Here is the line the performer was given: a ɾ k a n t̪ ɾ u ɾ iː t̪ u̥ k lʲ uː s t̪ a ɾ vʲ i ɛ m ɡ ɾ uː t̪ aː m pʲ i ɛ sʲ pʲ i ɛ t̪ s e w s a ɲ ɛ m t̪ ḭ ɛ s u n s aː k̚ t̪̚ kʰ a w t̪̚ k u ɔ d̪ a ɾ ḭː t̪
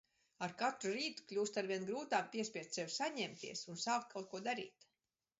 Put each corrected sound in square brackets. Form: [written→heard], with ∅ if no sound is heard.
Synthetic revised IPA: a ɾ k a [n→∅] t̪ ɾ u ɾ iː t̪ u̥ k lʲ uː s t̪ a ɾ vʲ i ɛ [m→n] ɡ ɾ uː t̪ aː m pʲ i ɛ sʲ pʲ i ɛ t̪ s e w s a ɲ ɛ m t̪ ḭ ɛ s u n s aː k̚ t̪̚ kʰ a w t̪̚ k u ɔ d̪ a ɾ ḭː t̪